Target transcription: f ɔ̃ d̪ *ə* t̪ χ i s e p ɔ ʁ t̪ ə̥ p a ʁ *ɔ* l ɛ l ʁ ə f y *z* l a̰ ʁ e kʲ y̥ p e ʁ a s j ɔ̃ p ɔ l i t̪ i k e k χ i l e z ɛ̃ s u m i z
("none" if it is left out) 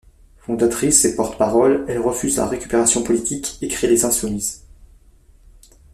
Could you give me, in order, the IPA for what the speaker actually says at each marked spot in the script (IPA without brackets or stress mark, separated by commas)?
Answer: a, ɔ, z